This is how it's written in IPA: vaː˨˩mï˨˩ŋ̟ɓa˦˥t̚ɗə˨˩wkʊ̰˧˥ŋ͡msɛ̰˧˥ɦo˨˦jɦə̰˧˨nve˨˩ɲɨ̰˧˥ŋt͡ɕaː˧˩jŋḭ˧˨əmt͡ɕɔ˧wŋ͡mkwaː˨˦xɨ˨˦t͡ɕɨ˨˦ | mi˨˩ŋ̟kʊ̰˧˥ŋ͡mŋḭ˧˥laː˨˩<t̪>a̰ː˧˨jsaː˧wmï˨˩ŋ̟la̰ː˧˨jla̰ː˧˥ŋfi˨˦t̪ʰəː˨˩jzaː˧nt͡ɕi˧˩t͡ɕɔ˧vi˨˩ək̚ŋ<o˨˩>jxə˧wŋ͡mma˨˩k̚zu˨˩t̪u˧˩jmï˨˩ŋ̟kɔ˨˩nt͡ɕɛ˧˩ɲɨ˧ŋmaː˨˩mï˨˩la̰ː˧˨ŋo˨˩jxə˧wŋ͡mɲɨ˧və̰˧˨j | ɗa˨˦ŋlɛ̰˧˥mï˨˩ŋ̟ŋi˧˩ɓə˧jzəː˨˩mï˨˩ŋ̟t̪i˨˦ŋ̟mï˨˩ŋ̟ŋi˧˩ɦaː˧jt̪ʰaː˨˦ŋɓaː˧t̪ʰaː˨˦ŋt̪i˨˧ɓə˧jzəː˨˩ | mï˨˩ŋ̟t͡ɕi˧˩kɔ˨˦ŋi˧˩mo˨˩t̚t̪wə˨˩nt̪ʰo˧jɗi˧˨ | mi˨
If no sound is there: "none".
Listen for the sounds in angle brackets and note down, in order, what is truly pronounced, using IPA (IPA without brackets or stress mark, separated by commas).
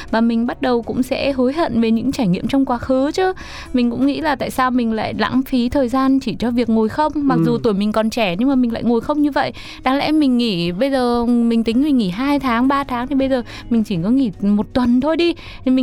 t̪, o˨˩